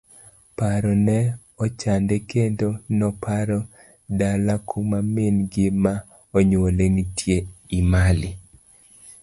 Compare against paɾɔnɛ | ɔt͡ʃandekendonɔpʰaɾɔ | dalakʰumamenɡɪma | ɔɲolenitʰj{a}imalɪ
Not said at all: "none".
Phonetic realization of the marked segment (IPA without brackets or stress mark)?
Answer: e